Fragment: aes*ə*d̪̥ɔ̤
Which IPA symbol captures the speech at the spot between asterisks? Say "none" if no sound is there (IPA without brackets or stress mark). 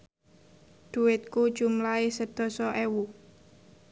ə